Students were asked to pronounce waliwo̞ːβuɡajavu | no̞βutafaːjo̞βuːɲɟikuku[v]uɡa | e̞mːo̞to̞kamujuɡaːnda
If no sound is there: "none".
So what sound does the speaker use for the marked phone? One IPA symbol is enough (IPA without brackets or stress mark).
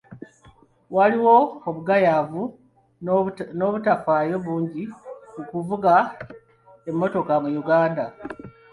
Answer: v